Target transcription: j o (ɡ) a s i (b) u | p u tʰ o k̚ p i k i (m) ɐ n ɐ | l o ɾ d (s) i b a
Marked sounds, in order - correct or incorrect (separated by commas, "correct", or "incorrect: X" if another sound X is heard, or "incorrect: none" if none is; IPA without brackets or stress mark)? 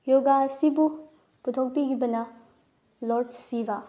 correct, correct, incorrect: b, correct